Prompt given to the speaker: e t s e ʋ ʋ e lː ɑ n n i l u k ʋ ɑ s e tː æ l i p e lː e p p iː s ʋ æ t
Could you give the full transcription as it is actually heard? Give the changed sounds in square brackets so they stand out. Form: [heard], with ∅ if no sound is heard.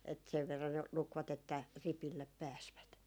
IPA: e t s e ʋ ʋ e [rː] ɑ n n [e] l u k ʋ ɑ [t] e tː æ [r] i p [i] lː e p p [æː] s ʋ æ t